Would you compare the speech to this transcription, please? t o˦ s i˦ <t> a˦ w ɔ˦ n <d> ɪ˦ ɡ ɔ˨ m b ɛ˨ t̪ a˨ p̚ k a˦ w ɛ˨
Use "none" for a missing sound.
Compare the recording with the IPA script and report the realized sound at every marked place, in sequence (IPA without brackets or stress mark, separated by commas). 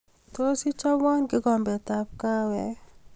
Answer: t͡ʃ, ɡ